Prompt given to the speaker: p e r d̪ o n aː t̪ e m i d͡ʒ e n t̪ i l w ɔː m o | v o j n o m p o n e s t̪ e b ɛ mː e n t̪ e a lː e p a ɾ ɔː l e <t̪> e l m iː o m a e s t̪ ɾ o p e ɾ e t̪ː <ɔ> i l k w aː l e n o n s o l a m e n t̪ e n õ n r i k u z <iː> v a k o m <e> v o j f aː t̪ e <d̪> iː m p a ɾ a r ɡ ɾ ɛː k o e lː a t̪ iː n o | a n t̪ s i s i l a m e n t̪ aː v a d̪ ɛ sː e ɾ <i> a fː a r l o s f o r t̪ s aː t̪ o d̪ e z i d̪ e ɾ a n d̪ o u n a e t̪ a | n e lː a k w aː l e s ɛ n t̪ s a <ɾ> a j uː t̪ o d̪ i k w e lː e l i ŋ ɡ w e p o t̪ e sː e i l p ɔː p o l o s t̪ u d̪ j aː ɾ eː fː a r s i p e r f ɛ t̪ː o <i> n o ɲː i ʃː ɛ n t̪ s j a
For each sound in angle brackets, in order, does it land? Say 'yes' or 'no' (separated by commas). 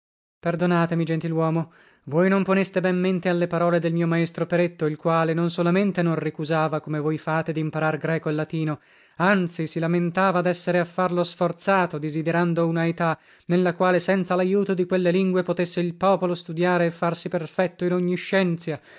no, no, no, yes, yes, no, no, yes